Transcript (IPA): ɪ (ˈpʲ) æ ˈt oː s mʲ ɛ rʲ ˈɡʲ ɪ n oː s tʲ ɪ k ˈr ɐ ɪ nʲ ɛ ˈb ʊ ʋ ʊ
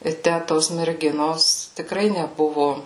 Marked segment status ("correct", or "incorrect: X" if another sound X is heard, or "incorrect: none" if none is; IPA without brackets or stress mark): incorrect: tʲ